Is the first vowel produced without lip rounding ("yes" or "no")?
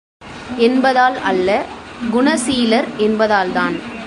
yes